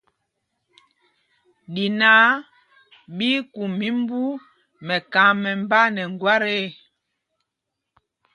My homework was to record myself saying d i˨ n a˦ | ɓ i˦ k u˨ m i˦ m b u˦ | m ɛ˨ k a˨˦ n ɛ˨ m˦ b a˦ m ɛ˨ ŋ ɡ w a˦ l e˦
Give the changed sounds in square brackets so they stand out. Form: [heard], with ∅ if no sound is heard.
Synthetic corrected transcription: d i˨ n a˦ | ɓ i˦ k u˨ m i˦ m b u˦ | m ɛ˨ k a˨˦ [m] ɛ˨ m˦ b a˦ [n] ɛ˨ ŋ ɡ w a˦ [ɾ] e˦